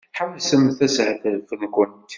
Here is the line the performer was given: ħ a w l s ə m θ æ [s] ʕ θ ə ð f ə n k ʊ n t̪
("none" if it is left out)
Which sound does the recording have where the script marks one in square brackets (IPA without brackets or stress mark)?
s